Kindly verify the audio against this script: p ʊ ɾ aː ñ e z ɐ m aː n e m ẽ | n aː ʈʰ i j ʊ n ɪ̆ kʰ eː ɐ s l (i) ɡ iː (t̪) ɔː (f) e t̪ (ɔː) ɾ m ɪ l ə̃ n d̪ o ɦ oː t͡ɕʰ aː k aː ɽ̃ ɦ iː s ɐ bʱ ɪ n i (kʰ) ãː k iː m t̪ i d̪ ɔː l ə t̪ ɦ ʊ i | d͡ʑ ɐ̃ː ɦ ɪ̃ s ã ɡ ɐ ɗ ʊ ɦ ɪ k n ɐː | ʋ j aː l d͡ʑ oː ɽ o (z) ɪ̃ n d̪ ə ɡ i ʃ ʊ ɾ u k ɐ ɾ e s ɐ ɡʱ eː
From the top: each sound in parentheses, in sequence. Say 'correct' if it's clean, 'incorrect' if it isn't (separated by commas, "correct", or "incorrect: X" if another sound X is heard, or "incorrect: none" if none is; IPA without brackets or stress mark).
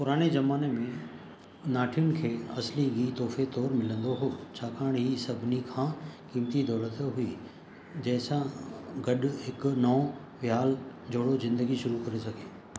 correct, correct, correct, correct, correct, correct